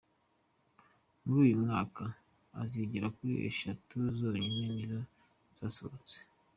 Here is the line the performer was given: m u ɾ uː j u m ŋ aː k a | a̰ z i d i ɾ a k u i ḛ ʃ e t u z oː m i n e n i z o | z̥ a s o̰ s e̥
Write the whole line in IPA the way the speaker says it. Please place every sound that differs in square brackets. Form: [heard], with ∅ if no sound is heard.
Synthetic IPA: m u ɾ uː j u m ŋ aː k a | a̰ z i [ɟ] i ɾ a k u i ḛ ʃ [a] t u z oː [ɲ] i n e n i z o | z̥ a s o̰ [t͡s] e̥